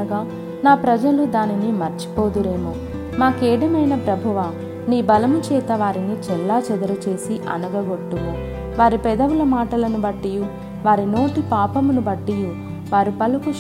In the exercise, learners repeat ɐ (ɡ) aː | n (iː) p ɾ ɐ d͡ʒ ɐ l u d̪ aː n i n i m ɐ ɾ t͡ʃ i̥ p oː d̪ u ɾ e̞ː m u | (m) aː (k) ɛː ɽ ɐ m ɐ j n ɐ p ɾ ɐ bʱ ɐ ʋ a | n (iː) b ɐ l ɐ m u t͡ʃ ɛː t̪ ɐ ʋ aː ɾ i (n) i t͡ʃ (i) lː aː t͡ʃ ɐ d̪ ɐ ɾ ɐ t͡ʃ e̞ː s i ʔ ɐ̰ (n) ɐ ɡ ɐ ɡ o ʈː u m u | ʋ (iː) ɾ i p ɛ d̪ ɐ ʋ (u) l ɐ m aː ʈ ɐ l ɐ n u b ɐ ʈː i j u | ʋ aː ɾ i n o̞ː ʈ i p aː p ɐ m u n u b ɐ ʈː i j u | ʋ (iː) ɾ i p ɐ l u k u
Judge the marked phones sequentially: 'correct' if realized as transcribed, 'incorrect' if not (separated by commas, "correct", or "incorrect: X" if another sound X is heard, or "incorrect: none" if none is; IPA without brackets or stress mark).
correct, incorrect: aː, correct, correct, correct, correct, incorrect: ɛ, correct, incorrect: aː, correct, incorrect: aː